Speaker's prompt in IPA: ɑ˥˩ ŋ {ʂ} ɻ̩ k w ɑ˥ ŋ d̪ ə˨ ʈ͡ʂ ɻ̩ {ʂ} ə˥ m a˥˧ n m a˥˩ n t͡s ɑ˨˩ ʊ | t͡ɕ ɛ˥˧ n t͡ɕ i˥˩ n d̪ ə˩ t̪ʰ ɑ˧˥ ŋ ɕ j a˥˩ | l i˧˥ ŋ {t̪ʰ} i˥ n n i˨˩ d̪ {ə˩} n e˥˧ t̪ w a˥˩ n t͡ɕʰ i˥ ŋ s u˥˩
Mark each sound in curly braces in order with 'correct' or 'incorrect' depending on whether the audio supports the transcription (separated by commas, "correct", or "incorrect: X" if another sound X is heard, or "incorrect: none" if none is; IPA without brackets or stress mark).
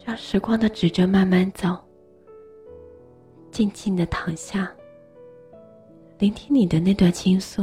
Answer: correct, incorrect: ʈ͡ʂ, correct, incorrect: ə˦